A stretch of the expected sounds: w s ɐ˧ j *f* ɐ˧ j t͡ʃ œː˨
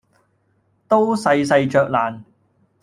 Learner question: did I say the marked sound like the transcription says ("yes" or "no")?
no